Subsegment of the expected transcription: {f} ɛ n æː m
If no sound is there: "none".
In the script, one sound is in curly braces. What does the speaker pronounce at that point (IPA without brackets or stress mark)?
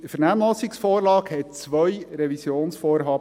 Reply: f